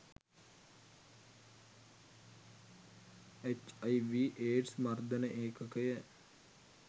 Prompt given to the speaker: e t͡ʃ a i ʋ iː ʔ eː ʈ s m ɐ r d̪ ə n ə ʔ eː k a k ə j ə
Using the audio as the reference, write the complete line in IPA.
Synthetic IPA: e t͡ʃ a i ʋ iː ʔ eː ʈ s m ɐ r d̪ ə n ə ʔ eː k ə k ə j ə

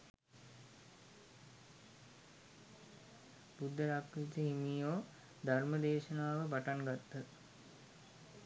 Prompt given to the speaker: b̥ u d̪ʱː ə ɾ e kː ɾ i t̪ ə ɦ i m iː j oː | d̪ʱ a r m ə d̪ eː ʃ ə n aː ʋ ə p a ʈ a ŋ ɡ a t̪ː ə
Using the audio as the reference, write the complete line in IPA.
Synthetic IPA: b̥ u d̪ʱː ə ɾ a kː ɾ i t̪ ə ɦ i m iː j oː | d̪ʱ a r m ə d̪ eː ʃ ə n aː ʋ ə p a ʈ a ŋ ɡ a t̪ː ə

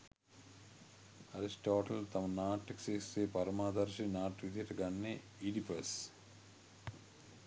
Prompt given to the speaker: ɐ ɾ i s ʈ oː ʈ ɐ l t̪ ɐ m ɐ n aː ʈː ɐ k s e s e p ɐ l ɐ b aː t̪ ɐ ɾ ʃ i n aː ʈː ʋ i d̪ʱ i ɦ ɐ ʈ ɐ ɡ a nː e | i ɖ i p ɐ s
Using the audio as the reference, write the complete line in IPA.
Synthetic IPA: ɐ ɾ i s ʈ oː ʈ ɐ l t̪ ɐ m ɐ n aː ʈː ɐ k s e s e p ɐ ɾ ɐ m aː d̪ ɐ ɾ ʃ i n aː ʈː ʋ i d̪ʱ i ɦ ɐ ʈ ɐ ɡ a nː e | i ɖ i p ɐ s

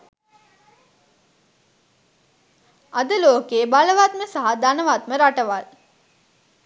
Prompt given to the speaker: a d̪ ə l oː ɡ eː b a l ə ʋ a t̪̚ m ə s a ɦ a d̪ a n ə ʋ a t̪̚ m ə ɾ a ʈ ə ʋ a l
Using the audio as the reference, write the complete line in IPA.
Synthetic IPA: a d̪ ə l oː k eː b a l ə ʋ a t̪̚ m ə s a ɦ a d̪ a n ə ʋ a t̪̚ m ə ɾ a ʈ ə ʋ a l

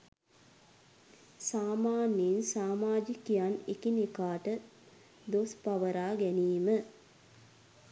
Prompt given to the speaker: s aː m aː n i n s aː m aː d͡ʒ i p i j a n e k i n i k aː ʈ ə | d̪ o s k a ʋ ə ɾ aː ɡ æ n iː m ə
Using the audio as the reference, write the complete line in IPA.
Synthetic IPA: s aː m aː n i n s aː m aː d͡ʒ i k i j a n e k i n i k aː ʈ ə | d̪ o s p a ʋ ə ɾ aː ɡ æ n iː m ə

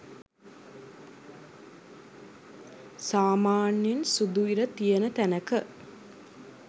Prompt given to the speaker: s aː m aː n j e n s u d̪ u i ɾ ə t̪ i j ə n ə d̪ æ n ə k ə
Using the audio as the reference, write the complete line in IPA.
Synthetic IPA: s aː m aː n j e n s u d̪ u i ɾ ə t̪ i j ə n ə t̪ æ n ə k ə

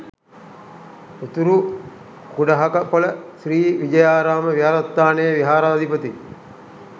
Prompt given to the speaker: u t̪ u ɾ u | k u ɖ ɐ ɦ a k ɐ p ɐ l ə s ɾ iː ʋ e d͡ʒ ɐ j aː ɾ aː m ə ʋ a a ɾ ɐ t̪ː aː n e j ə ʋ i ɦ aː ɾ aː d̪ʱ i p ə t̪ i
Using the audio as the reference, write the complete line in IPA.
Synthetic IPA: u t̪ u ɾ u | k u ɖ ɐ ɦ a k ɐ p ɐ l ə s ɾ iː ʋ i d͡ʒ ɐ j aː ɾ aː m ə ʋ i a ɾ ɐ t̪ː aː n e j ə ʋ i ɦ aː ɾ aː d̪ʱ i p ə t̪ i

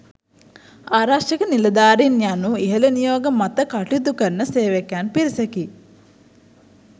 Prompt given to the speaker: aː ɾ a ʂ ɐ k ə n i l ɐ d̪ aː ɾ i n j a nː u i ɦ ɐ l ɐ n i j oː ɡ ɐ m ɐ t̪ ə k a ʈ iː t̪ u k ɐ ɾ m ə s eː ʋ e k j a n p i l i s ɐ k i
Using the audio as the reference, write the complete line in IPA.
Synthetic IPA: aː ɾ a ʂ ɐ k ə n i l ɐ d̪ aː ɾ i n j a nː u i ɦ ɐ l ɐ n i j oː ɡ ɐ m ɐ t̪ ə k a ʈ i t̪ u k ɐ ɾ n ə s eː ʋ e k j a n p i ɾ i s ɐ k i

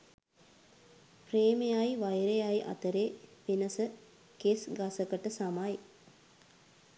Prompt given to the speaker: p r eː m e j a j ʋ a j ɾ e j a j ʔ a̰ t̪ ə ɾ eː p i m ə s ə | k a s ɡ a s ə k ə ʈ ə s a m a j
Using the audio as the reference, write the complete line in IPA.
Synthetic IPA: p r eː m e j a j ʋ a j ɾ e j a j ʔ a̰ t̪ ə ɾ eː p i n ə s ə | k e s ɡ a s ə k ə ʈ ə s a m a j

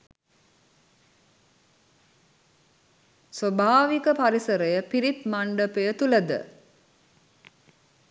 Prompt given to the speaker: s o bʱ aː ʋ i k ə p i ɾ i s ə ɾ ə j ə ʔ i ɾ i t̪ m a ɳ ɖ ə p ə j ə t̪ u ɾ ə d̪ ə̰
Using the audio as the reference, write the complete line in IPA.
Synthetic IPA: s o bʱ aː ʋ i k ə p a ɾ i s ə ɾ ə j ə p i ɾ i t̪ m a ɳ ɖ ə p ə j ə t̪ u l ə d̪ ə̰

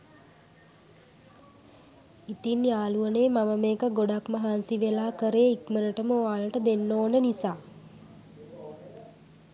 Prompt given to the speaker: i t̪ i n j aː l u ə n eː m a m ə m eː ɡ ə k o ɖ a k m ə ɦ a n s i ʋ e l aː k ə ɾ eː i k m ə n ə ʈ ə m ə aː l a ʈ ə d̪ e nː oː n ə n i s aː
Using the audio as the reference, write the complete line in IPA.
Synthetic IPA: i t̪ i n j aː l u ə n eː m a m ə m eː k ə ɡ o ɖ a k m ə ɦ a n s i ʋ e l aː k ə ɾ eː i k m ə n ə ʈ ə m ə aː l ə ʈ ə d̪ e nː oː n ə n i s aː

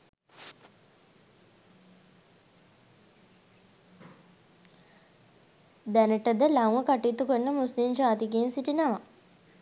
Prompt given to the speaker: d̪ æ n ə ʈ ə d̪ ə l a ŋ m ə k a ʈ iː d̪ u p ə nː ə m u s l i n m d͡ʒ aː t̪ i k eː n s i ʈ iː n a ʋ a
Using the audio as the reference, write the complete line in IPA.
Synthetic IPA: d̪ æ n ə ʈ ə d̪ ə l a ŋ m ə k a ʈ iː t̪ u k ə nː ə m u s l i m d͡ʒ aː t̪ i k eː n s i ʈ i n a ʋ a

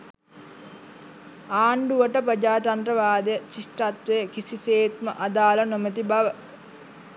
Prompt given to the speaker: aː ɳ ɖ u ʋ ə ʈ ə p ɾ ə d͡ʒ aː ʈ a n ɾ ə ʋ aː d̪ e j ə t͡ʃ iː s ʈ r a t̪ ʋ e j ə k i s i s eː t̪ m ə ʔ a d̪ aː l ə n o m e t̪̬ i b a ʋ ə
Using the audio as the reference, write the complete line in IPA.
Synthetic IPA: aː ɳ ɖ u ʋ ə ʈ ə p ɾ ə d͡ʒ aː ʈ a n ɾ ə ʋ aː d̪ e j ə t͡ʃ i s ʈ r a t̪ ʋ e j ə k i s i s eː t̪ m ə ʔ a d̪ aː l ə n o m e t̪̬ i b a ʋ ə

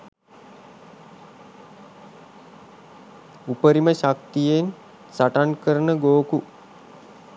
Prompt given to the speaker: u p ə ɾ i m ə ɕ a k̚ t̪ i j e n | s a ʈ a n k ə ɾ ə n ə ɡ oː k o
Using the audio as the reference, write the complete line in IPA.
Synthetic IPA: u p ə ɾ i m ə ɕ a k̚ t̪ i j e n | s a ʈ a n k ə ɾ ə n ə ɡ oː k u

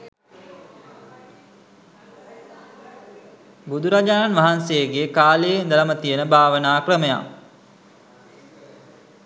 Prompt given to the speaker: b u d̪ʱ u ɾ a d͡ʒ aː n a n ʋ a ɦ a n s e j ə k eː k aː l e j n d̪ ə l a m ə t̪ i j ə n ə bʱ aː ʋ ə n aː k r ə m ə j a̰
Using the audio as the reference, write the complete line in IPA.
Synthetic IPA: b u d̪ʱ u ɾ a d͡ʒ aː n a n ʋ a ɦ a n s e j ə ɡ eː k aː l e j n d̪ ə l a m ə t̪ i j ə n ə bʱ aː ʋ ə n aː k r ə m ə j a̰

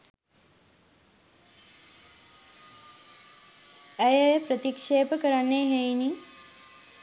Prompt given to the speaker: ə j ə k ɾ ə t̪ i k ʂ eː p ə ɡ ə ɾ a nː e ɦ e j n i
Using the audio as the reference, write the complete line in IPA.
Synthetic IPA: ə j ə p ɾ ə t̪ i k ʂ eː p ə k ə ɾ a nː e ɦ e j n i

